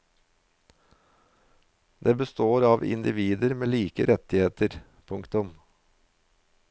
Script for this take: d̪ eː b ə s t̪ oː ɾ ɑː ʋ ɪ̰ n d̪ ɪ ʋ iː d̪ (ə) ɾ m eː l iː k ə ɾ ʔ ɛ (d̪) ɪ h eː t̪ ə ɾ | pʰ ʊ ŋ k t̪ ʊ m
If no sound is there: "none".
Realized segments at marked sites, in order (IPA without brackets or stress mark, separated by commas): ə, t̪